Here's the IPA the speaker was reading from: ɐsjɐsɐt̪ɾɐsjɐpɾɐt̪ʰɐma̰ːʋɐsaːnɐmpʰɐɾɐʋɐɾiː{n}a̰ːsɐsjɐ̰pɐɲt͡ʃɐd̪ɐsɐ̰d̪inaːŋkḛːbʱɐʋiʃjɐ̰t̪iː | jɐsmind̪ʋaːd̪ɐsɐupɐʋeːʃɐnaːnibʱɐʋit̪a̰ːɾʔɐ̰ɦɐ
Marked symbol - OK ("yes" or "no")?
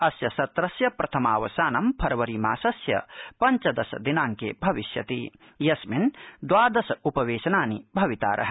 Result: no